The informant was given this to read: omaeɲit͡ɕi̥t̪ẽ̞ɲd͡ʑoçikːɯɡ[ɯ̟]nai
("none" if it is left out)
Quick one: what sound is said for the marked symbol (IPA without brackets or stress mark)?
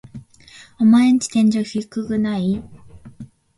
ɯ̟